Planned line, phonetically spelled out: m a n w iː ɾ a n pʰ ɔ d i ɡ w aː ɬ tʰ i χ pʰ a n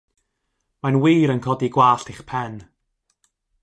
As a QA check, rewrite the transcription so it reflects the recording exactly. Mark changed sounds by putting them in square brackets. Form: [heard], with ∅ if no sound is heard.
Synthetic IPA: m a n w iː ɾ [ə] n [kʰ] ɔ d i ɡ w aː ɬ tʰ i χ pʰ [ɛ] n